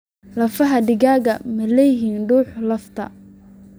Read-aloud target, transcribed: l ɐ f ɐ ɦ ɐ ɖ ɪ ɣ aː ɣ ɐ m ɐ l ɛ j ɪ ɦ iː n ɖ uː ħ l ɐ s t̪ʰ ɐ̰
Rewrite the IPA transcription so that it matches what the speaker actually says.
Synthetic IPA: l ɐ f ɐ ɦ ɐ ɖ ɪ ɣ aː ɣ ɐ m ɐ l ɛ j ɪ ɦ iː n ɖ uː ħ l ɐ f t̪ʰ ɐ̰